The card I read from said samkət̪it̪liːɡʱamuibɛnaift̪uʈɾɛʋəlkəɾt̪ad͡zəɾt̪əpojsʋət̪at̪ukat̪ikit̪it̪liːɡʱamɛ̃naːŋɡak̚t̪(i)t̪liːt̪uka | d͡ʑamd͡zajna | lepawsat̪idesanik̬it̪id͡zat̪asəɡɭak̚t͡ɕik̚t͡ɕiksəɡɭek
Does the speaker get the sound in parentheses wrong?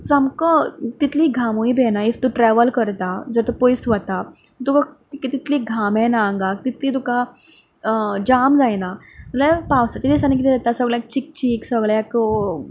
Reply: no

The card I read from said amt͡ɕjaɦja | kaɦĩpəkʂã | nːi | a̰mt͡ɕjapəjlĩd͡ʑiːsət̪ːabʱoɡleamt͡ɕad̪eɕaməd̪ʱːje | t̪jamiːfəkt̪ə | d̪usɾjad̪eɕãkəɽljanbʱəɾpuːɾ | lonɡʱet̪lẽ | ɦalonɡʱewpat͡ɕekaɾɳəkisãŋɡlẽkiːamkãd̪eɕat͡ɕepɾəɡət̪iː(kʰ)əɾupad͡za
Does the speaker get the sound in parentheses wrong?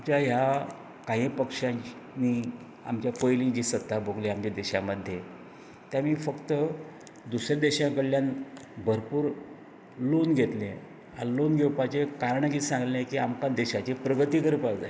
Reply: yes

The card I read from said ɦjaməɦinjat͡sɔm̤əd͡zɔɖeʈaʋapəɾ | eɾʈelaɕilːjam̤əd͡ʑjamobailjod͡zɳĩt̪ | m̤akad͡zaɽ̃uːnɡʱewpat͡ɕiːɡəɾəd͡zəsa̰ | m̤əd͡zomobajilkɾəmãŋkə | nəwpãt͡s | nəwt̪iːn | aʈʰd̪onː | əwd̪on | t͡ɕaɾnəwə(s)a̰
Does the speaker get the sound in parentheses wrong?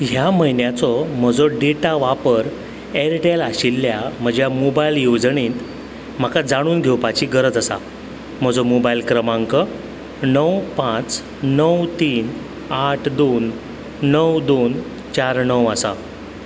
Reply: no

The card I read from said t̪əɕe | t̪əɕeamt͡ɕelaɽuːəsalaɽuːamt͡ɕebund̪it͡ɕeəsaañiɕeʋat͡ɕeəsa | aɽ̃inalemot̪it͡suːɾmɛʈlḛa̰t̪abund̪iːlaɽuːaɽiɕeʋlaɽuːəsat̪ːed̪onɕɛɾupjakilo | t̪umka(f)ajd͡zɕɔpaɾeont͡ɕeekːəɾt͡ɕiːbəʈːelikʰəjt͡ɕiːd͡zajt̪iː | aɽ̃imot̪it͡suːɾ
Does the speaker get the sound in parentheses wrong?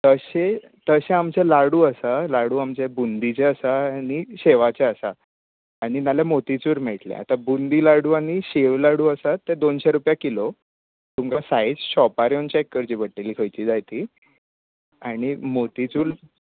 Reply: yes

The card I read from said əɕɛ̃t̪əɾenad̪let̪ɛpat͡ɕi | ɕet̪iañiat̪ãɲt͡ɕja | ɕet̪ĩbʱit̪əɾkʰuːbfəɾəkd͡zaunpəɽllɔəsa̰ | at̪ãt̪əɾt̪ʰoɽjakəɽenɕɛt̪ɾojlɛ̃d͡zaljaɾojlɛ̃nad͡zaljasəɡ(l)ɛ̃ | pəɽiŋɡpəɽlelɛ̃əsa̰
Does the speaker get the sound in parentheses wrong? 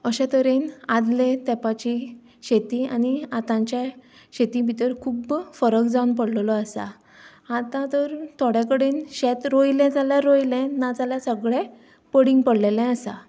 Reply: yes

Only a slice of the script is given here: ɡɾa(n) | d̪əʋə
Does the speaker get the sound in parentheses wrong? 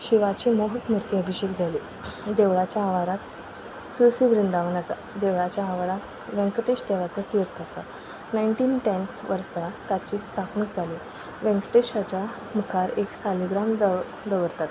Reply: yes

